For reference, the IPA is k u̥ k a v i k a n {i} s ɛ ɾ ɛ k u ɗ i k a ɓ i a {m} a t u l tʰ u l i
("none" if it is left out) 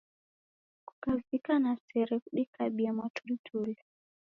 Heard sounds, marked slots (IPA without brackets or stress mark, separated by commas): a, m